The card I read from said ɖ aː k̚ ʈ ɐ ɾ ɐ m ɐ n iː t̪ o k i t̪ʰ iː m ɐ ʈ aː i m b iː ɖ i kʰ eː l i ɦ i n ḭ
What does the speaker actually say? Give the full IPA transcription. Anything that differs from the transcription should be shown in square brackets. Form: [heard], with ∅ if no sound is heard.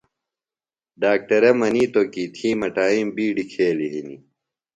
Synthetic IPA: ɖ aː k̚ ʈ ɐ ɾ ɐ m ɐ n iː t̪ o k i t̪ʰ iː m ɐ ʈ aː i m b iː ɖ i kʰ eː l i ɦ i n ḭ